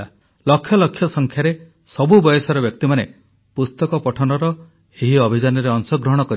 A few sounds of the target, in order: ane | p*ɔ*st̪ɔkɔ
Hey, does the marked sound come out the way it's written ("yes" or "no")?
no